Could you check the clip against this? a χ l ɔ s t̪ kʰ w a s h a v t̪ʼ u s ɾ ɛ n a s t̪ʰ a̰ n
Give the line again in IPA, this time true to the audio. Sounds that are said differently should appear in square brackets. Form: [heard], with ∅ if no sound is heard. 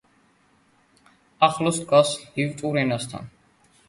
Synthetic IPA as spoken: a χ l ɔ s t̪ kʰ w a s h [i] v t̪ʼ u [∅] ɾ ɛ n a s t̪ʰ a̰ n